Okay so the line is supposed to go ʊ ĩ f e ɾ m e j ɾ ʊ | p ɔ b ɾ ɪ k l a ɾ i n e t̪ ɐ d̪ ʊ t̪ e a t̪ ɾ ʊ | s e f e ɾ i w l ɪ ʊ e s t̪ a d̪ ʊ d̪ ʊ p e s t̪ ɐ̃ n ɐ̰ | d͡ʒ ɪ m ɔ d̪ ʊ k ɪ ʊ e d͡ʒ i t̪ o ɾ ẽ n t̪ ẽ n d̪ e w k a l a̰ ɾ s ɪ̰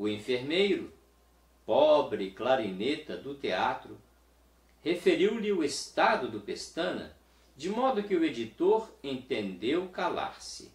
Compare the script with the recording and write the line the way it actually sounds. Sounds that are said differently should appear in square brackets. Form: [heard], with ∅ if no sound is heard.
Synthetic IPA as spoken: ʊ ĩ f e ɾ m e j ɾ ʊ | p ɔ b ɾ ɪ k l a ɾ i n e t̪ ɐ d̪ ʊ t̪ e a t̪ ɾ ʊ | [h] e f e ɾ i w l ɪ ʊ e s t̪ a d̪ ʊ d̪ ʊ p e s t̪ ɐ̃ n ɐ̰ | d͡ʒ ɪ m ɔ d̪ ʊ k ɪ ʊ e d͡ʒ i t̪ o ɾ ẽ n t̪ ẽ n d̪ e w k a l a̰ ɾ s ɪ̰